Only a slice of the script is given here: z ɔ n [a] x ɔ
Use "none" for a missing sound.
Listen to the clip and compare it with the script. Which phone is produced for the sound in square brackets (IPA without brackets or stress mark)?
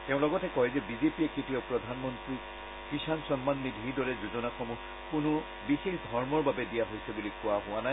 a